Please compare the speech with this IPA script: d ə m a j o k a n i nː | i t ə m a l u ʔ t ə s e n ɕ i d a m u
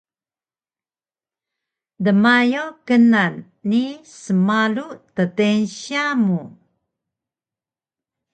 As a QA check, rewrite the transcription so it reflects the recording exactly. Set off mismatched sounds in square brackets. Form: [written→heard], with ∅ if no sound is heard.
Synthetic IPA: d ə m a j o k [a→ə] n [i→a] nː | i [t→s] ə m a l u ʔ t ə [s→t] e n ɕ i [d→∅] a m u